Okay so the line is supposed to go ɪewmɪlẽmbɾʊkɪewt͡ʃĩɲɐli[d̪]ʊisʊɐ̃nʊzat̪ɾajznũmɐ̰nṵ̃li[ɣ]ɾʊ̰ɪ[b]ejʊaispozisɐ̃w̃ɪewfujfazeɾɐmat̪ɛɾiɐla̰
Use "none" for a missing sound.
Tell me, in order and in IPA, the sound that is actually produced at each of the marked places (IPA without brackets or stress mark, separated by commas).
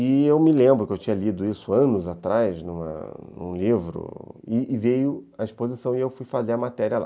d̪, v, v